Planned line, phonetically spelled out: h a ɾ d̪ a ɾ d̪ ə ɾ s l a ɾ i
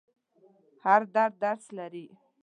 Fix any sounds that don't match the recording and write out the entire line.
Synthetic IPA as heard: h a ɾ d̪ a ɾ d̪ a ɾ s l a ɾ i